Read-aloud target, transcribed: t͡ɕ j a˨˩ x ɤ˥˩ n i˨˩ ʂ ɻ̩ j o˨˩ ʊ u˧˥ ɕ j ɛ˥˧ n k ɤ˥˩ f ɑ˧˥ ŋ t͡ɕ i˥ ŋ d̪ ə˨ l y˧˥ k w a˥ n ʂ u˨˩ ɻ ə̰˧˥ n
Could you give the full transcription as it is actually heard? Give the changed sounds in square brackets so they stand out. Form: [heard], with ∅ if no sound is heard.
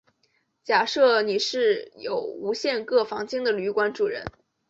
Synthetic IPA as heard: t͡ɕ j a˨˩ [ʂ] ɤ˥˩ n i˨˩ ʂ ɻ̩ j o˨˩ ʊ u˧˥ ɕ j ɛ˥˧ n k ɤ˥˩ f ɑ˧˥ ŋ t͡ɕ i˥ ŋ d̪ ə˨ l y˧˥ k w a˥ n [ʈ͡ʂ] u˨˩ ɻ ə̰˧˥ n

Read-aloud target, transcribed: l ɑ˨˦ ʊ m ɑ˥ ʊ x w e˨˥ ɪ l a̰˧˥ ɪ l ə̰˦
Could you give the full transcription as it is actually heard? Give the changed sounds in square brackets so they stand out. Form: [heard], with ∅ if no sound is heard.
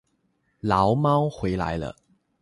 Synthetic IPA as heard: l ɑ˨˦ ʊ m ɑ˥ ʊ x w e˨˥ ɪ l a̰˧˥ ɪ l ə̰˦

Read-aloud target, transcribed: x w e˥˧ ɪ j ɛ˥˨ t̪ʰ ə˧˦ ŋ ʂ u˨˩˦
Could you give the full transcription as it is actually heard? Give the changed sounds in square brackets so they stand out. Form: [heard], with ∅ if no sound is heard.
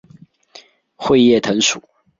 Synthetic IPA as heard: x w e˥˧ ɪ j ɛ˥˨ t̪ʰ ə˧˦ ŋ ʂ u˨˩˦

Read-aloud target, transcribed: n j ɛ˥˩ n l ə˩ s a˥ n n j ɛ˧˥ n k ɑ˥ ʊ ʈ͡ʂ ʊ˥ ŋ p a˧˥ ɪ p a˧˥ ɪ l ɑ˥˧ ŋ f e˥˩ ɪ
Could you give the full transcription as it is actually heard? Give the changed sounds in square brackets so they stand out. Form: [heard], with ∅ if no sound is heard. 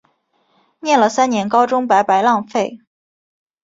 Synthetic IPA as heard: n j ɛ˥˩ n l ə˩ s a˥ n n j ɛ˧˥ n k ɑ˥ ʊ ʈ͡ʂ ʊ˥ ŋ p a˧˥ ɪ p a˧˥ ɪ l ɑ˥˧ ŋ f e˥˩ ɪ

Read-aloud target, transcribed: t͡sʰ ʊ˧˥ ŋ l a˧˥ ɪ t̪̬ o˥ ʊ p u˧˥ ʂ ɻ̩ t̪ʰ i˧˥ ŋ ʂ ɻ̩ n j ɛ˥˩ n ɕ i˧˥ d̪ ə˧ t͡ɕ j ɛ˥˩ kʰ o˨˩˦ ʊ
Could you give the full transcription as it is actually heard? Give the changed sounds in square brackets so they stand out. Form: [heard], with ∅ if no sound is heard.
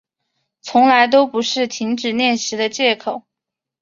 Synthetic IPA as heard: t͡sʰ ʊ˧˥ ŋ l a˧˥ ɪ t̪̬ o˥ ʊ p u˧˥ ʂ ɻ̩ t̪ʰ i˧˥ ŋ [ʈ͡ʂ] ɻ̩ n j ɛ˥˩ n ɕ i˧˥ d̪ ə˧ t͡ɕ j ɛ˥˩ kʰ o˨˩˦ ʊ

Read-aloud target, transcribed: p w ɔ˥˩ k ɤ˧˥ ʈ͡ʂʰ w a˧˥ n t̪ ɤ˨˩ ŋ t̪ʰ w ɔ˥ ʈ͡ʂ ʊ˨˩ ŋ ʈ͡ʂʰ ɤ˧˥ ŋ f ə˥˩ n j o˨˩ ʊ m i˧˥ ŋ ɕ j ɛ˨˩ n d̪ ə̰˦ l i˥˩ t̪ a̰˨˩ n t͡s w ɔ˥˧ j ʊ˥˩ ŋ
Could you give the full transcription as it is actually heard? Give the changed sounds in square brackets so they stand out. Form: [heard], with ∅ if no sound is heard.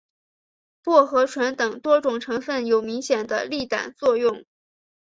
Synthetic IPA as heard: p w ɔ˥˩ [x] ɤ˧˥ ʈ͡ʂʰ w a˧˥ n t̪ ɤ˨˩ ŋ [t̪] w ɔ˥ ʈ͡ʂ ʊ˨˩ ŋ ʈ͡ʂʰ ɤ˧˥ ŋ f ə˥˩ n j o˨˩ ʊ m i˧˥ ŋ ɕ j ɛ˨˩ n d̪ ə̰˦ l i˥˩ t̪ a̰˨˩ n t͡s w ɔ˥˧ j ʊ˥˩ ŋ

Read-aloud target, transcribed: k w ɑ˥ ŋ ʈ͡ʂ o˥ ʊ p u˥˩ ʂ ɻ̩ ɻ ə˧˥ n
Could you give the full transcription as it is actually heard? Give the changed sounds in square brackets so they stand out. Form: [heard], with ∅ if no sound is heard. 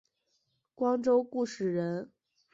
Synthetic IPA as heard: k w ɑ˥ ŋ ʈ͡ʂ o˥ ʊ [k] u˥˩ ʂ ɻ̩ ɻ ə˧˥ n

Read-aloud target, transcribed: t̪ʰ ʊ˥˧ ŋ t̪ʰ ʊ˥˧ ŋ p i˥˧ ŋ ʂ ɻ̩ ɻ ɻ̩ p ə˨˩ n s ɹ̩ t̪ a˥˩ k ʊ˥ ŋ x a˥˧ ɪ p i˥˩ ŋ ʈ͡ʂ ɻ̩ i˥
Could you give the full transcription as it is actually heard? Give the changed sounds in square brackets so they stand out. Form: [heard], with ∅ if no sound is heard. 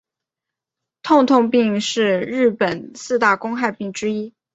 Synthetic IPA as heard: t̪ʰ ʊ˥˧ ŋ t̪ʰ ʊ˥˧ ŋ p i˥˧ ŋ ʂ ɻ̩ ɻ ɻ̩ p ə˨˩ n s ɹ̩ t̪ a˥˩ k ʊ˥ ŋ x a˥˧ ɪ p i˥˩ ŋ ʈ͡ʂ ɻ̩ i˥

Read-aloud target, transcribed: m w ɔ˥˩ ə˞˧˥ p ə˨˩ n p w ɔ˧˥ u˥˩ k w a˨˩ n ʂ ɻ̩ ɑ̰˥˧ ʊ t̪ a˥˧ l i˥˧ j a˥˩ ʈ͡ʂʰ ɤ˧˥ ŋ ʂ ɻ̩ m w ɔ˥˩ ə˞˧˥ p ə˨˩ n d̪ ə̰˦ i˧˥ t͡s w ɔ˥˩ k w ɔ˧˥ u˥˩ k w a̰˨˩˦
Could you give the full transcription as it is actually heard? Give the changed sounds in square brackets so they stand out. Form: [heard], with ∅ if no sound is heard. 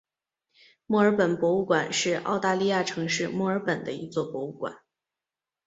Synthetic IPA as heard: m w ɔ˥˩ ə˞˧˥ p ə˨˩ n p w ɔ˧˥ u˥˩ k w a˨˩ n ʂ ɻ̩ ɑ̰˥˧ ʊ t̪ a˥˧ l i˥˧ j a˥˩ ʈ͡ʂʰ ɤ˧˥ ŋ ʂ ɻ̩ m w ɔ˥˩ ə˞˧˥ p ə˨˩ n d̪ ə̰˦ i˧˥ t͡s w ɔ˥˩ [p] w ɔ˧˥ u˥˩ k w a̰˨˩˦

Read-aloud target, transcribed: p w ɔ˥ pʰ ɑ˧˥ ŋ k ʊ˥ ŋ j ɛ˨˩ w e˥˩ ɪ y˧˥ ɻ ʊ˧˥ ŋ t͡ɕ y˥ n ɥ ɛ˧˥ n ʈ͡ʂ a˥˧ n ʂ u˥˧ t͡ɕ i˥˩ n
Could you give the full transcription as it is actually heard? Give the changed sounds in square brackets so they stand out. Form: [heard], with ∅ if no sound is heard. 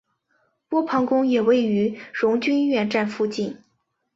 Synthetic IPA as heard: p w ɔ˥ pʰ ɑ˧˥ ŋ k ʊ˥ ŋ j ɛ˨˩ w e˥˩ ɪ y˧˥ ɻ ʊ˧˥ ŋ t͡ɕ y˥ n ɥ [ɛ˥˧] n ʈ͡ʂ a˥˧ n [f] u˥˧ t͡ɕ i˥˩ n

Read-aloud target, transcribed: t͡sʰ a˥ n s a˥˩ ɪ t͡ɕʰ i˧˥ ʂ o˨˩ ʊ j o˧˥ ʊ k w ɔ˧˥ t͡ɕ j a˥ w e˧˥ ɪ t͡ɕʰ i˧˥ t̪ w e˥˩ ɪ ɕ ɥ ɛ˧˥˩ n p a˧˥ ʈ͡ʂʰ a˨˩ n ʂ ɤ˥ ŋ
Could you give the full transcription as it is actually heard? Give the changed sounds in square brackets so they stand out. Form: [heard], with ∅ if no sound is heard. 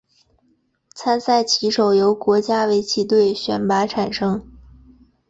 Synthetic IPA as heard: t͡sʰ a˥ n s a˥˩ ɪ t͡ɕʰ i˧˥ ʂ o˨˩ ʊ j o˧˥ ʊ k w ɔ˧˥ t͡ɕ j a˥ w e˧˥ ɪ t͡ɕʰ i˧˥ t̪ w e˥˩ ɪ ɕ ɥ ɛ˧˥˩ n p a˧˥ ʈ͡ʂʰ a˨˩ n ʂ ɤ˥ ŋ

